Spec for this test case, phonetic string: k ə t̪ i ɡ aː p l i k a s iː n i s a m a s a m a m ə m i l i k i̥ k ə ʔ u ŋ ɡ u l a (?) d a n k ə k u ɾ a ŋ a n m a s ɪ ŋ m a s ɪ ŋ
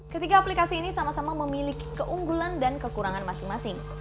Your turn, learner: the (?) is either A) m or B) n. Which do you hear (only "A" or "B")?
B